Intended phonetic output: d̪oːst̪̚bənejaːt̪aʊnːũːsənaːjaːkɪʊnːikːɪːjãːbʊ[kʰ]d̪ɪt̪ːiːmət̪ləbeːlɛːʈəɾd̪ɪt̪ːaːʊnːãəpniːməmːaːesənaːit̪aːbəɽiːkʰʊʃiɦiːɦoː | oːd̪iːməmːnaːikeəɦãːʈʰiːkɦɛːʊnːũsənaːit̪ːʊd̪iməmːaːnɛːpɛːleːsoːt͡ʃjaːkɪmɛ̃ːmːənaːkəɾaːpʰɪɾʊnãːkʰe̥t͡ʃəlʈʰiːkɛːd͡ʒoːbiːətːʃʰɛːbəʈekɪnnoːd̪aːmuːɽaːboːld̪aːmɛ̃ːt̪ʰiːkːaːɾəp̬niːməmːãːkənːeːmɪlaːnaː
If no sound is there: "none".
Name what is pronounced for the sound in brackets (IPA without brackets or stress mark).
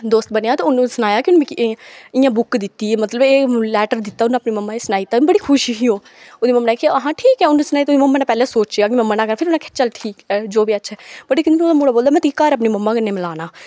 k